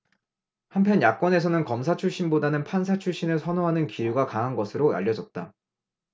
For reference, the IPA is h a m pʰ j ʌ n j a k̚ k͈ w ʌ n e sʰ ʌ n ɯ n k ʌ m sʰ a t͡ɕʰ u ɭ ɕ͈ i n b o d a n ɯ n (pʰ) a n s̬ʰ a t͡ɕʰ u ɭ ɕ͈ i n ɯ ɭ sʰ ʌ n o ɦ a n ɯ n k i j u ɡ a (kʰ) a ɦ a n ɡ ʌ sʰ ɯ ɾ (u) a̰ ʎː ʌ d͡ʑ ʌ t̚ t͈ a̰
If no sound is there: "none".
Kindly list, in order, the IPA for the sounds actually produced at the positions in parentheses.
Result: pʰ, k, o

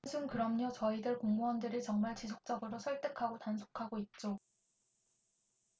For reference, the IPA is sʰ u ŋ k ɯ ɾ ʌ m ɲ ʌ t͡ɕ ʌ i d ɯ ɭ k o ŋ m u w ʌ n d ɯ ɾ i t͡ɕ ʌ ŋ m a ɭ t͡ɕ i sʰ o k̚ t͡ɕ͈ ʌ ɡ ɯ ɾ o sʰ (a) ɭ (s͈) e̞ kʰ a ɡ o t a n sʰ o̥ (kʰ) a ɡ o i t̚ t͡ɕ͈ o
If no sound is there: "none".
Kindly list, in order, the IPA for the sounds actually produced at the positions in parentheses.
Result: ʌ, t͈, kʰ

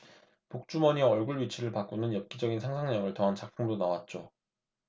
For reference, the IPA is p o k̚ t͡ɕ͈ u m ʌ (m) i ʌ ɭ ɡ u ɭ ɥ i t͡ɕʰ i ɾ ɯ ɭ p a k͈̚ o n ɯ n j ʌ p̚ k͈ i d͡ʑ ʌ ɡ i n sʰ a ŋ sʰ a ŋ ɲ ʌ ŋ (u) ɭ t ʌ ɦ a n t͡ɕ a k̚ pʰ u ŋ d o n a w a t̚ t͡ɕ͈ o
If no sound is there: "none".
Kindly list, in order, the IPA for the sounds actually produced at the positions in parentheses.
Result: ɲ, ɯ

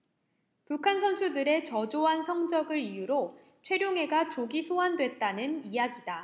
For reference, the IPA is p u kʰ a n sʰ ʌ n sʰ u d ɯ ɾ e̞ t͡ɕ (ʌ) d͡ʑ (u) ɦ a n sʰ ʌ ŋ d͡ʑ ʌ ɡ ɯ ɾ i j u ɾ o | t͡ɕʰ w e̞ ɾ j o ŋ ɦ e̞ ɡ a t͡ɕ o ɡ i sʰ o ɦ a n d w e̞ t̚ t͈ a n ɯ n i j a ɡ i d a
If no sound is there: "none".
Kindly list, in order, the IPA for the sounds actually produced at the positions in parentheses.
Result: ʌ, o

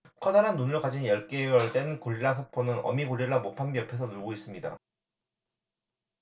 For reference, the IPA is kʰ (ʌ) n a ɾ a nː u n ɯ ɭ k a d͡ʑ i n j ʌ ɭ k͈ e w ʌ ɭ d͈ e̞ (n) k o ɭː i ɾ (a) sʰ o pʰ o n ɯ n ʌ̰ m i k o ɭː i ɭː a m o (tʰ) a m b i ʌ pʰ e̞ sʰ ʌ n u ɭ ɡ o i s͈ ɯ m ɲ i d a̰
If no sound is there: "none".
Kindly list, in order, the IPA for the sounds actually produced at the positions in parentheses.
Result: ʌ, n, a, pʰ

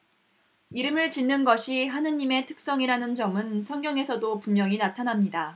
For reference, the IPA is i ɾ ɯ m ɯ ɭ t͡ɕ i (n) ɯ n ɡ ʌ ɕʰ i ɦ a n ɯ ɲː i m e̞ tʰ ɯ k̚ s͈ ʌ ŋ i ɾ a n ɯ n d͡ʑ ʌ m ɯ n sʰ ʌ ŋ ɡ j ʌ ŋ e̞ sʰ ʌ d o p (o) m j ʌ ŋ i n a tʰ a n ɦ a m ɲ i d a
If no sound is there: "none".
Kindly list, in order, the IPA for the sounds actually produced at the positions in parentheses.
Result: nː, u

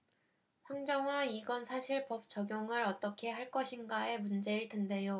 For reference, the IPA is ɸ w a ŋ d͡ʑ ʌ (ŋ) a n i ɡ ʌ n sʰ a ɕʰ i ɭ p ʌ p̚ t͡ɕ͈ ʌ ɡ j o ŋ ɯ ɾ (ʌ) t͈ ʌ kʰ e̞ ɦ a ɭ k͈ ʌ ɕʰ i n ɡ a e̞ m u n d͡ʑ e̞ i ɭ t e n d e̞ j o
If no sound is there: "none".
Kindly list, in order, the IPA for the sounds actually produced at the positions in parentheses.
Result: ŋ, ʌ

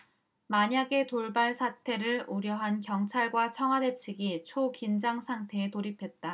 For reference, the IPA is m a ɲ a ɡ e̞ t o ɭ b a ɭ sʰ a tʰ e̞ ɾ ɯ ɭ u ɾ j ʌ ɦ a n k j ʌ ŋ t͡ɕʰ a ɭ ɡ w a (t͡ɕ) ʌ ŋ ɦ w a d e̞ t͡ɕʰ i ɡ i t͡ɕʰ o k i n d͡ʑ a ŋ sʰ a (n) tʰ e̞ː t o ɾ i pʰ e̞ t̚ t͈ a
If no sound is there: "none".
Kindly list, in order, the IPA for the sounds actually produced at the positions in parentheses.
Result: t͡ɕʰ, ŋ

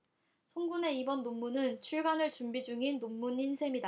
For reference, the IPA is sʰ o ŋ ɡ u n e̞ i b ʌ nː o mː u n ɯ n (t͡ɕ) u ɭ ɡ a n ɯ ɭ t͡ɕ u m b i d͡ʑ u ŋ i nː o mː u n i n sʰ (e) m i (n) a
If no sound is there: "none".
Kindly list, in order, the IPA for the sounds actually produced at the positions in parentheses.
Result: t͡ɕʰ, e, d

